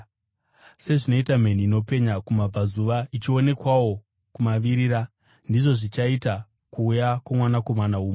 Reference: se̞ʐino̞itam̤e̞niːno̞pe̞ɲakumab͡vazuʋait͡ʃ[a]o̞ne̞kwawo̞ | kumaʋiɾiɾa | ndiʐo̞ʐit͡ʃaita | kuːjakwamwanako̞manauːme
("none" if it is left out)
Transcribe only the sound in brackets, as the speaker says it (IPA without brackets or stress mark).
i